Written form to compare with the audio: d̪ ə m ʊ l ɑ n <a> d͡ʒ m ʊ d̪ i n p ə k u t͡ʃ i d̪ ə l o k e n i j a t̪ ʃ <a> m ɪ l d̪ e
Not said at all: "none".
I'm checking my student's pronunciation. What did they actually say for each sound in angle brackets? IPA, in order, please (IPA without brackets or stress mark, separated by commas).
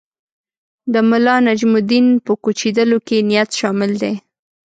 a, ɑ